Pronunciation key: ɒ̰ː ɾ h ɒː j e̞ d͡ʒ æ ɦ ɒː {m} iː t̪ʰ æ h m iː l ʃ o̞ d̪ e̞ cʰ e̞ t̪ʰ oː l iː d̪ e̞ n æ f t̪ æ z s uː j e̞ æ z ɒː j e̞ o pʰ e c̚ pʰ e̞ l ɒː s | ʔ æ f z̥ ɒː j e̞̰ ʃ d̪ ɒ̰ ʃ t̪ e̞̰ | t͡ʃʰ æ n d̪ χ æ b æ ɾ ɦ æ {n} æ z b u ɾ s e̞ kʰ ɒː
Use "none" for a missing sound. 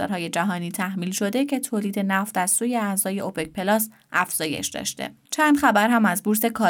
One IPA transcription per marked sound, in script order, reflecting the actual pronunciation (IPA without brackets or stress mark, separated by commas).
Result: n, m